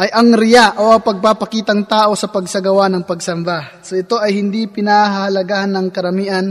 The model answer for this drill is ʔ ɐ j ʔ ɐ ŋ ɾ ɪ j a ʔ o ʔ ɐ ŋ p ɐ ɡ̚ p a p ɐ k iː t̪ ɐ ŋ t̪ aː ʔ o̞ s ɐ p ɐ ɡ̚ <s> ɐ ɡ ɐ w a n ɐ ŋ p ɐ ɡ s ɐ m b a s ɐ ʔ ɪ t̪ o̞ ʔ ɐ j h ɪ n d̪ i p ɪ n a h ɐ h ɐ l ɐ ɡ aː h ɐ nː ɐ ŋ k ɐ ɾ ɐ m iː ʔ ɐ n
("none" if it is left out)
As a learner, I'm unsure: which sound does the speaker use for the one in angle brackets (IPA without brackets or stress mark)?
s